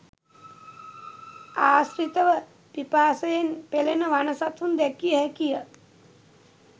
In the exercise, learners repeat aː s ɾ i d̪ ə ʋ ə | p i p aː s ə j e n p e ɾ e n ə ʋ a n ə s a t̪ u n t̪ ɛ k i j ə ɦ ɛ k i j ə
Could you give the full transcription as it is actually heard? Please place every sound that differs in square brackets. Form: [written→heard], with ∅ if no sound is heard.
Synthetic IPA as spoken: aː s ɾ i [d̪→t̪] ə ʋ ə | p i p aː s ə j e n p e [ɾ→l] e n ə ʋ a n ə s a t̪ u n [t̪→d̪] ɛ k i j ə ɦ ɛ k i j ə